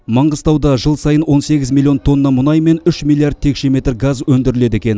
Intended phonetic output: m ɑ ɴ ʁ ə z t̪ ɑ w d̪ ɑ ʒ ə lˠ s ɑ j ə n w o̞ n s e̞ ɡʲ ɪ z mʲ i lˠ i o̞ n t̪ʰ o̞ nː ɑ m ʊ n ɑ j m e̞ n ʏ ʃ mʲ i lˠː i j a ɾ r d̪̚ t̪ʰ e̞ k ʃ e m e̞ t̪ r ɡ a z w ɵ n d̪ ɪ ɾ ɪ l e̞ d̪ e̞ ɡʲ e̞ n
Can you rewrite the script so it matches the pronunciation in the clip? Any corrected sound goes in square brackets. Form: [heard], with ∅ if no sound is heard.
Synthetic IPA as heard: m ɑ ɴ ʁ ə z t̪ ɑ w d̪ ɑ ʒ ə lˠ s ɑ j ə n w o̞ n s e̞ ɡʲ ɪ z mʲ i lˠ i o̞ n t̪ʰ o̞ nː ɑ m ʊ n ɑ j m e̞ n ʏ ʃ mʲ i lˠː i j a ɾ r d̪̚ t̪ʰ e̞ k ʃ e m e̞ t̪ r ɡ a z w ɵ n d̪ ɪ ɾ ɪ l e̞ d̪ e̞ [kʲ] e̞ n